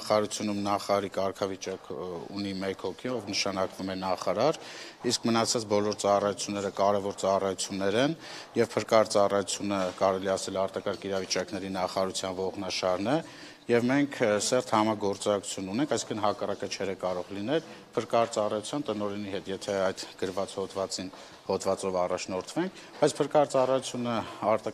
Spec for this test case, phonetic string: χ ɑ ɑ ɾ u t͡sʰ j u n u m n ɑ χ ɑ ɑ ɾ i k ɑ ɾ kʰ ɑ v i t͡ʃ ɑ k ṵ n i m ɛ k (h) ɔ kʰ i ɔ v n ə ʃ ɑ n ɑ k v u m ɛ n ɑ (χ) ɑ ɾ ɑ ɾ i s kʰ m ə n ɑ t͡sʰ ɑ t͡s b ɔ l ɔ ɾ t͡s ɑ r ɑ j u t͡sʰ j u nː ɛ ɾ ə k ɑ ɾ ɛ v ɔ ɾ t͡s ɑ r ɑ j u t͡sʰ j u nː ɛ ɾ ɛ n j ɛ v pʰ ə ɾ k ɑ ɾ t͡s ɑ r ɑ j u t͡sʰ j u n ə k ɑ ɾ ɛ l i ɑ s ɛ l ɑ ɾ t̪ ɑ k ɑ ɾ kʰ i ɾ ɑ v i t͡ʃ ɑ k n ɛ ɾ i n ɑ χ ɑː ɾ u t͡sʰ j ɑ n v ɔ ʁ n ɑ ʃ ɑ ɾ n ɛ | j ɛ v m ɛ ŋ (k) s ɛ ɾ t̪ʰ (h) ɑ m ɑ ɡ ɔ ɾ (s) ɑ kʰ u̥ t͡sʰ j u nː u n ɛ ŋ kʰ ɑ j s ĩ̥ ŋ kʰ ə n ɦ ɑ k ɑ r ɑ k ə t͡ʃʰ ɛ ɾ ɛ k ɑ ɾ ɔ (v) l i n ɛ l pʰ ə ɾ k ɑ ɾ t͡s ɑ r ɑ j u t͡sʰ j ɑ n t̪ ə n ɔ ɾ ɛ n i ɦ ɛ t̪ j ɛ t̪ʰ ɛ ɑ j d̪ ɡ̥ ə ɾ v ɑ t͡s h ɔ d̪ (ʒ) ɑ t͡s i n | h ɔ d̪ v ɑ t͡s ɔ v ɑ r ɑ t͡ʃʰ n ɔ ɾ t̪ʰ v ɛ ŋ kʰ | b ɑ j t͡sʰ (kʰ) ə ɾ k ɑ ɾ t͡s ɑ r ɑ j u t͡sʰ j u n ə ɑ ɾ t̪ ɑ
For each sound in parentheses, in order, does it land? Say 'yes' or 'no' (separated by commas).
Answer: yes, yes, no, yes, no, no, no, no